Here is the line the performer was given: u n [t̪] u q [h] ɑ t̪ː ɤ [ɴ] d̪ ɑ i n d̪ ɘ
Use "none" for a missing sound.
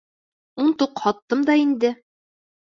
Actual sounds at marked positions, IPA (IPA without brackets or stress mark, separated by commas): t̪, h, m